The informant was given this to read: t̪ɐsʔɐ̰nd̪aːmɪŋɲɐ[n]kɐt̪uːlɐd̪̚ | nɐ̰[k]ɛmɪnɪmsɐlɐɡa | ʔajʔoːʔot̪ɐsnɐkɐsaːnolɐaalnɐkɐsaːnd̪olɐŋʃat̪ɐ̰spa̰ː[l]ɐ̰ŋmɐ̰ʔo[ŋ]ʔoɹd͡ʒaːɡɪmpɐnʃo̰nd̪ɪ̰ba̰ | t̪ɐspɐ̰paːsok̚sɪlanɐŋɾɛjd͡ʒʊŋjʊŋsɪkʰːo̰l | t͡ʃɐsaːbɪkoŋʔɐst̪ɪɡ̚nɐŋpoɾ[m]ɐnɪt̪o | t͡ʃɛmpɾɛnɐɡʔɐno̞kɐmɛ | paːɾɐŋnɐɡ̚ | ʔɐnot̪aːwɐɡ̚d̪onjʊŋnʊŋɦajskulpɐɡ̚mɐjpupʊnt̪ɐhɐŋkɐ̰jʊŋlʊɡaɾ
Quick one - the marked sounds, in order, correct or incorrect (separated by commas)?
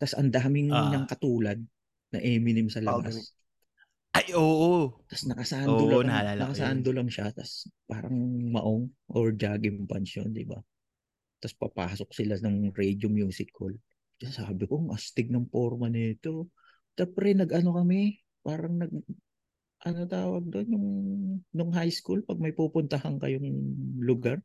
incorrect, incorrect, incorrect, correct, correct